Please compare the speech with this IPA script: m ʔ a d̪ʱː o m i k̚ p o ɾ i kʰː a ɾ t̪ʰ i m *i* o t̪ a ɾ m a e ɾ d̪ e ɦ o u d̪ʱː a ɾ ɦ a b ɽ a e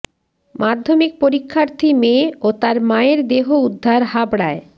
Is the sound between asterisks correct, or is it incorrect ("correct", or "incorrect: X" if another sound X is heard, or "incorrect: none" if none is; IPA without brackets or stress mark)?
incorrect: e